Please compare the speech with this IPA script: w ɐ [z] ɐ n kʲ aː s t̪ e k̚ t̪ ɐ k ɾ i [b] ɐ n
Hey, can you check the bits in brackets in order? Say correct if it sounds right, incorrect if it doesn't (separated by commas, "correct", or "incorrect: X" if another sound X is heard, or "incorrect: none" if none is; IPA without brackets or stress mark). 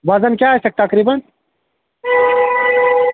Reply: correct, correct